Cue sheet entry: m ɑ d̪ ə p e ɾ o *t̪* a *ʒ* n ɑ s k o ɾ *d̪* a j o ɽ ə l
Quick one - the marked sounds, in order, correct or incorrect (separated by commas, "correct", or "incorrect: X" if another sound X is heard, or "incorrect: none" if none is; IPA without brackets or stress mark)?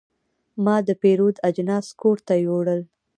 incorrect: d̪, incorrect: d͡ʒ, incorrect: t̪